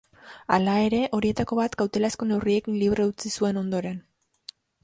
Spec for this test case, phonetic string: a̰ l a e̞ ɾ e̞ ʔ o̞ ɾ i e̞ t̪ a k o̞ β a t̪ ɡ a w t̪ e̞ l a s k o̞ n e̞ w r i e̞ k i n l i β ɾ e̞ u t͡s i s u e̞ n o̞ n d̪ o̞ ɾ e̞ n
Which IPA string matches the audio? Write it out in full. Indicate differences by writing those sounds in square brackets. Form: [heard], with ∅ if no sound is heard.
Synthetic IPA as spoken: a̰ l a e̞ ɾ e̞ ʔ o̞ ɾ i e̞ t̪ a k o̞ β a t̪ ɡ a w t̪ e̞ l a s k o̞ n e̞ w r i e̞ k i n l i β ɾ e̞ u t͡s i s u e̞ n o̞ n d̪ o̞ ɾ e̞ n